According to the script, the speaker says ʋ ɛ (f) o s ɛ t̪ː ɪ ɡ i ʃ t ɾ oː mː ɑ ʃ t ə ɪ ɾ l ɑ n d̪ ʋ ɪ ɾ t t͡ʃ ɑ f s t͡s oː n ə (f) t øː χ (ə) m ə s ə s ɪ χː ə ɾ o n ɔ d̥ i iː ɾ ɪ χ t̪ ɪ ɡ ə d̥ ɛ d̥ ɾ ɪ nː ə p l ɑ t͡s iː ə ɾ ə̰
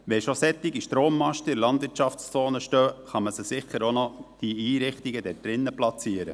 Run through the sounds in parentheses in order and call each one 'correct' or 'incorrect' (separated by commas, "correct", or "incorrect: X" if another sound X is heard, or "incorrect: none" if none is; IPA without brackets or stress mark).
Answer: incorrect: ʃ, incorrect: ʃ, incorrect: ɑ